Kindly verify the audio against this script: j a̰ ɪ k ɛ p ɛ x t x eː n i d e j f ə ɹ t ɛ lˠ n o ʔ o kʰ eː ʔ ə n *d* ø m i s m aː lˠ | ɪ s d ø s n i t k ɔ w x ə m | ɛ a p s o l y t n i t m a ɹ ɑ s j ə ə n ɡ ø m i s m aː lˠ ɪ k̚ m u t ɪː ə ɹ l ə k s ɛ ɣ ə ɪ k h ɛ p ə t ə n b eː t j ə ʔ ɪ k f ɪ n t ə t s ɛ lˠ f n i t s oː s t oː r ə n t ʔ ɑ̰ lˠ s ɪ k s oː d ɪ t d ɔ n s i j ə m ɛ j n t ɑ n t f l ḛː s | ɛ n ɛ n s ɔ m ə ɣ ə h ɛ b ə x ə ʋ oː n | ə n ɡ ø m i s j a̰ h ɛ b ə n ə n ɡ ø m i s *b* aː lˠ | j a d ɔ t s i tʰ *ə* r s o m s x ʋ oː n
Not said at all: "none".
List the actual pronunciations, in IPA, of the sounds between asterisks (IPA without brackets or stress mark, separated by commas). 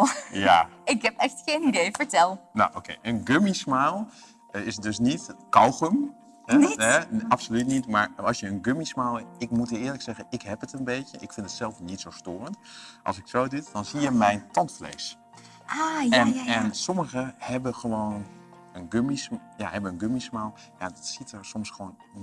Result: ɡ, m, ə